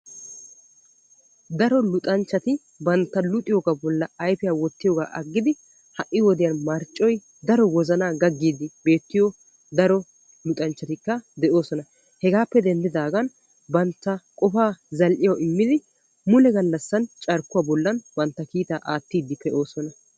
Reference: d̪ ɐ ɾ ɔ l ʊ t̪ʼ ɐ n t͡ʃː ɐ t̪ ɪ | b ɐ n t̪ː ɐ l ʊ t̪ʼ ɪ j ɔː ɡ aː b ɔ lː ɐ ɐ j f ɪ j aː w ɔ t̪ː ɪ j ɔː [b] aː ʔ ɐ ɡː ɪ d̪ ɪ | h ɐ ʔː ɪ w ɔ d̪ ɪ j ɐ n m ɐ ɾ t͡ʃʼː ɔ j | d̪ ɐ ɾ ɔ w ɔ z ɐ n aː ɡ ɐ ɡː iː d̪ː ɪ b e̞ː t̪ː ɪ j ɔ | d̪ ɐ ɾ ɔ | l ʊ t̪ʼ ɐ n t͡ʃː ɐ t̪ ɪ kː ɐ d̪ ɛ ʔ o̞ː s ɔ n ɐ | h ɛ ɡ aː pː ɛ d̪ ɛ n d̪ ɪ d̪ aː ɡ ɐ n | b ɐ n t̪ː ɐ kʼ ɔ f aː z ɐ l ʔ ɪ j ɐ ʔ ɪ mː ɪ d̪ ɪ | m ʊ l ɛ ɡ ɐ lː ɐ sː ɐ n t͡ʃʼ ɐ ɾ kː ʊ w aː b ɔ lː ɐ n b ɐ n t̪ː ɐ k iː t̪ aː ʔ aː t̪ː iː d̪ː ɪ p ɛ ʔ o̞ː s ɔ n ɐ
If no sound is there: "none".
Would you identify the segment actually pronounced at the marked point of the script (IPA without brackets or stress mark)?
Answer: ɡ